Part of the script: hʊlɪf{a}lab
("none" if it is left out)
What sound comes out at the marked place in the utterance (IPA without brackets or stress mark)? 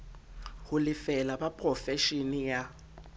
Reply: ɛ